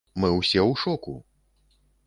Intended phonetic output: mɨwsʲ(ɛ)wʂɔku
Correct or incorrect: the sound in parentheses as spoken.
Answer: correct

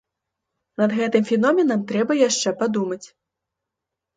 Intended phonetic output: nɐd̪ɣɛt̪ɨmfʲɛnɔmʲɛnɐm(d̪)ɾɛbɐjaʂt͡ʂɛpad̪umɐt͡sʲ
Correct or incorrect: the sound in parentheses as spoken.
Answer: incorrect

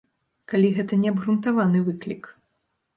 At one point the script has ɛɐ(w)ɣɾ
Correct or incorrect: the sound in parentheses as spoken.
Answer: incorrect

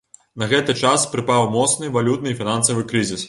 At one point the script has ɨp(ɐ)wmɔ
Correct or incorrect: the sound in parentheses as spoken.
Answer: incorrect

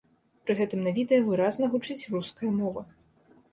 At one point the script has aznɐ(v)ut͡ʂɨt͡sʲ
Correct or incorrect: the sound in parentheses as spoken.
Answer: incorrect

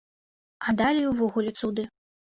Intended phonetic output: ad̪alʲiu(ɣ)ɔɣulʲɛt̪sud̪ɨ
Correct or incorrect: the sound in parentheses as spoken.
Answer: incorrect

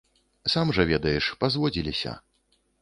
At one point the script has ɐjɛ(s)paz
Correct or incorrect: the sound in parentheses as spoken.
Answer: incorrect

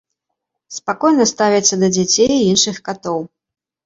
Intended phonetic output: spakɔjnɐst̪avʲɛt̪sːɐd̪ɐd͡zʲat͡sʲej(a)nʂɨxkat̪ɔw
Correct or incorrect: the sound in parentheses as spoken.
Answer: incorrect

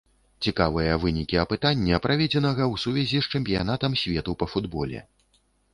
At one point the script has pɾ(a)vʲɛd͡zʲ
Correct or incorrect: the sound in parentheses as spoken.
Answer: correct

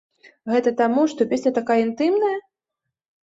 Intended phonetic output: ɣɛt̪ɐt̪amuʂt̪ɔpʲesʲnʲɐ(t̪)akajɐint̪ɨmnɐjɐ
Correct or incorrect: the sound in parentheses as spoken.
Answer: correct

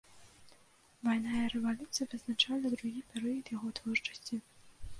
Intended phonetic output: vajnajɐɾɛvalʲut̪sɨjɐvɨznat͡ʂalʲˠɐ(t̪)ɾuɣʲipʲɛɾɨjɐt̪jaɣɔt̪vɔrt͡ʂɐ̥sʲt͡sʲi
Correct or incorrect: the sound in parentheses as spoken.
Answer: incorrect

